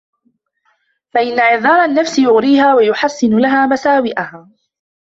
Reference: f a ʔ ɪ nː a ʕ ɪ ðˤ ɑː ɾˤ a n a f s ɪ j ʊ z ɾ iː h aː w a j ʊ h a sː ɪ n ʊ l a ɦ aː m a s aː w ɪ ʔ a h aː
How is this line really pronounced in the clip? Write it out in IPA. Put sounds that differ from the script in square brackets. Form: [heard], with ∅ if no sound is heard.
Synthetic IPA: f a ʔ ɪ nː a ʕ ɪ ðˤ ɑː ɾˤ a [nː] a f s ɪ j ʊ [ɣ] ɾ iː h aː w a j ʊ [ħ] a sː ɪ n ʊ l a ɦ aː m a s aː w ɪ ʔ a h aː